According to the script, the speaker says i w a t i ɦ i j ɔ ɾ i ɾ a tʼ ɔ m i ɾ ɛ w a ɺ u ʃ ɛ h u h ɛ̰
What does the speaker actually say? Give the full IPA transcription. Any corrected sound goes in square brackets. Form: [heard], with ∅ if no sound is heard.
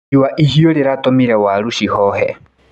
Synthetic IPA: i w a [ʔ] i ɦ i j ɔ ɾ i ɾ a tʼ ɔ m i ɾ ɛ w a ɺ u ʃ [i] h [ɔ] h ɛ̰